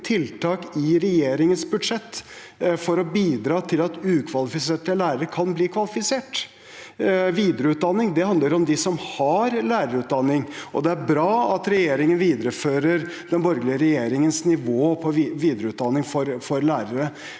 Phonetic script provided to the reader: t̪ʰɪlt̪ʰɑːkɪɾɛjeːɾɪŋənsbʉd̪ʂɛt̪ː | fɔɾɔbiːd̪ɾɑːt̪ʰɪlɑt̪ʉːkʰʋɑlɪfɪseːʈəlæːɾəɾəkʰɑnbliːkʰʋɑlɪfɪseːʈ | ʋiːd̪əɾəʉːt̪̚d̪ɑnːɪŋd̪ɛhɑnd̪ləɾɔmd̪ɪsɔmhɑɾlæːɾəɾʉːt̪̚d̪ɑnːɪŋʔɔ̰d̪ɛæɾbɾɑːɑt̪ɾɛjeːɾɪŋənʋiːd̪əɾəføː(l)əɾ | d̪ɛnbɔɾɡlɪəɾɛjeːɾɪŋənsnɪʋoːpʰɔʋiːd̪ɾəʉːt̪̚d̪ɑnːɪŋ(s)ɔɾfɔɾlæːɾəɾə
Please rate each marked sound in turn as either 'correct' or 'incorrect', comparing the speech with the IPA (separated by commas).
incorrect, incorrect